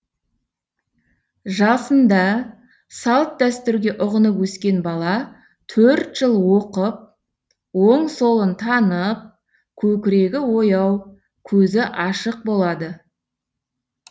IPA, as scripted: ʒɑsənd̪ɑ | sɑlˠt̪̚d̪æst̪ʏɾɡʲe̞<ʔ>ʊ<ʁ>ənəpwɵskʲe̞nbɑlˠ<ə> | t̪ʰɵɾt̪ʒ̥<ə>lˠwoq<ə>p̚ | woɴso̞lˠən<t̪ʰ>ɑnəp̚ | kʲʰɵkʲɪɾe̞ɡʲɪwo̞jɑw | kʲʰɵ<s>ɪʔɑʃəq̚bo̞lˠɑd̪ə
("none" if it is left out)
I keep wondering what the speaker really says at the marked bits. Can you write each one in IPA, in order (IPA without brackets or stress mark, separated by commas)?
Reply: ʔ, ʁ, ɑ, ə, ə, t̪ʰ, z